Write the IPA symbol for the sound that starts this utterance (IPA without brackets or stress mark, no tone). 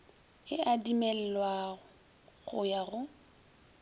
ɪ